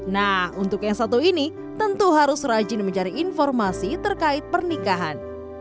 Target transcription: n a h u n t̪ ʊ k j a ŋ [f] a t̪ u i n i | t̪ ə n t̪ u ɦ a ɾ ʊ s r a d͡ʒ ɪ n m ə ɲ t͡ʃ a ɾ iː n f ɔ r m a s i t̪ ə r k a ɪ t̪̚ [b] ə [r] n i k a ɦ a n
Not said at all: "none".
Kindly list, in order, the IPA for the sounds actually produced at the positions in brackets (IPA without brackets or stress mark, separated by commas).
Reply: s, p, r